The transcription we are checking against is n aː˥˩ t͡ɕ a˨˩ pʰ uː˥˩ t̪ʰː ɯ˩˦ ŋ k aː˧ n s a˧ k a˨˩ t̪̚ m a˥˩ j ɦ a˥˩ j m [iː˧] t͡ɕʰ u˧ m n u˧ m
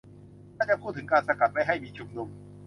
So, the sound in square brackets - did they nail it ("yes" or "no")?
yes